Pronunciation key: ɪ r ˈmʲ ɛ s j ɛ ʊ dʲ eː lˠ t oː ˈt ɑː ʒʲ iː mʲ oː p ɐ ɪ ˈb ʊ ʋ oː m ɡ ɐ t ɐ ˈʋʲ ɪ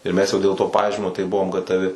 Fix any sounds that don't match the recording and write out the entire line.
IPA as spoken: ɪ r ˈmʲ ɛ s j ɛ ʊ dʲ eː lˠ t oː ˈp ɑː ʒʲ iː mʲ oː t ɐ ɪ ˈb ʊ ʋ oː m ɡ ɐ t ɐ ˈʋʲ ɪ